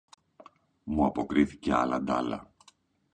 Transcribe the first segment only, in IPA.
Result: m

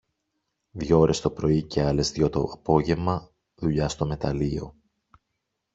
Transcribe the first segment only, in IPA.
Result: ð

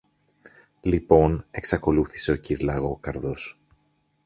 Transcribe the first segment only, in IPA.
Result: l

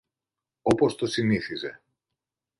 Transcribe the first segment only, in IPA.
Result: o̞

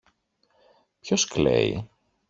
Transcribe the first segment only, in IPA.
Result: p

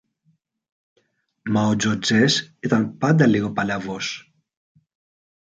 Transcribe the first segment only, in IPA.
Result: m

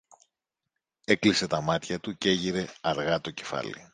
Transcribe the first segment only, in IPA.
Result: e̞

